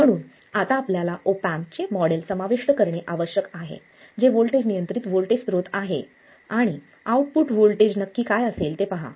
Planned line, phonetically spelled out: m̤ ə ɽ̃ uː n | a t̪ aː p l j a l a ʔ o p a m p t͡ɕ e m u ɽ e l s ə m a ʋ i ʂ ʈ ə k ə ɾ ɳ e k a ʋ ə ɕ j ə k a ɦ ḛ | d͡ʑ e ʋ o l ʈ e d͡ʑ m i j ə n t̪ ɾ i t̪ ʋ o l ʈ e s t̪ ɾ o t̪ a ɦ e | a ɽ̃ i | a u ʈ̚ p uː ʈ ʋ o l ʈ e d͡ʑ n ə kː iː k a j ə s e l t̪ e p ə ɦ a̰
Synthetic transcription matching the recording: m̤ ə ɽ̃ uː n | a t̪ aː p l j a l a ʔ o p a m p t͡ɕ e m ɔ ɽ e l s ə m a ʋ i ʂ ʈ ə k ə ɾ ɳ e ʔ a ʋ ə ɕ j ə k a ɦ ḛ | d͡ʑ e ʋ o l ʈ e d͡ʑ n i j ə n t̪ ɾ i t̪ ʋ o l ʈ e s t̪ ɾ o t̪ a ɦ e | a ɽ̃ i | a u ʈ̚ p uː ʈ ʋ o l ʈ e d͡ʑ n ə kː iː k a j ə s e l t̪ e p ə ɦ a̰